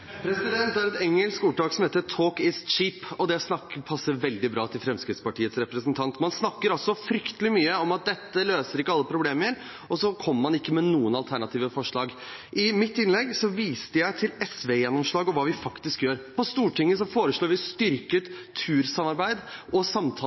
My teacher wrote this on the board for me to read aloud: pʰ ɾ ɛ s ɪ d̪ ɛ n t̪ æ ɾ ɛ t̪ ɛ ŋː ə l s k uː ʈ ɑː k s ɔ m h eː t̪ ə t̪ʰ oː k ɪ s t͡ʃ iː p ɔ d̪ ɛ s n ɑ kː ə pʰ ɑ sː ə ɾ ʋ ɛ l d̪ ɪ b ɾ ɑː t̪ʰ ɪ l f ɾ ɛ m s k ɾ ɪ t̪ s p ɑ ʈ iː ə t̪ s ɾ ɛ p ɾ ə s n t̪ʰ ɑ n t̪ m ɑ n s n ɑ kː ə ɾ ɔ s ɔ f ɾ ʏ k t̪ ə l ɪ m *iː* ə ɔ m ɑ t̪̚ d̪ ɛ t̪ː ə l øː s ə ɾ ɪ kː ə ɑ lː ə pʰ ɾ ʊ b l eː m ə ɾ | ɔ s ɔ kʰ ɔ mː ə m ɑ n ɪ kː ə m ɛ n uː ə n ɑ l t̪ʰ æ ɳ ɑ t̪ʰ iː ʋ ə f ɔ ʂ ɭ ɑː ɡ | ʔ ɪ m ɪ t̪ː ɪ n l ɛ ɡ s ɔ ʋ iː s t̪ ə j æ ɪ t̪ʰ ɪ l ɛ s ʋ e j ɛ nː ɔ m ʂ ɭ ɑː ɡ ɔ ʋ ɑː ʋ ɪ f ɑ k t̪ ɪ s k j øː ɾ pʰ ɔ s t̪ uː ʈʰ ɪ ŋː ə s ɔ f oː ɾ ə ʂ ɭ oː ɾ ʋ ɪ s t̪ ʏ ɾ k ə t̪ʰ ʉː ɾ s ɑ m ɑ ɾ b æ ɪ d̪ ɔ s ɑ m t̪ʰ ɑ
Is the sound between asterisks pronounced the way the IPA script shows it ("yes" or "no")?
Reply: no